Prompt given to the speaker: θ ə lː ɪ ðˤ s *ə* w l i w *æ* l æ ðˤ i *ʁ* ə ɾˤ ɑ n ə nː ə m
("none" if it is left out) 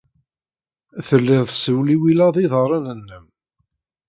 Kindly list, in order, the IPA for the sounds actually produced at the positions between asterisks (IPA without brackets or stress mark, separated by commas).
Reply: ə, i, ð